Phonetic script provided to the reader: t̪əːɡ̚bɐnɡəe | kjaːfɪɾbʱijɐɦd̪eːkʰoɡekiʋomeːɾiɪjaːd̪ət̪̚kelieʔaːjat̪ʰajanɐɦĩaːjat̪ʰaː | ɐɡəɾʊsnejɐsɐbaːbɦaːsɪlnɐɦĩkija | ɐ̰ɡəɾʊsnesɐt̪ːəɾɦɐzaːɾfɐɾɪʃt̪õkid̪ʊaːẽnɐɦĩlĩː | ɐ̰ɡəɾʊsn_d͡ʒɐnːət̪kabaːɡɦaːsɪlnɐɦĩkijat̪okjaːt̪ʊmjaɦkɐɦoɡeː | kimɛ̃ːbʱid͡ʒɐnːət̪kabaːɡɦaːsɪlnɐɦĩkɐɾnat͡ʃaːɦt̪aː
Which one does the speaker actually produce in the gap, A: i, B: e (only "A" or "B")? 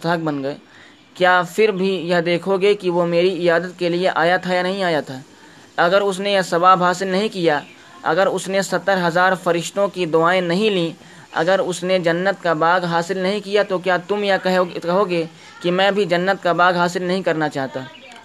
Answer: B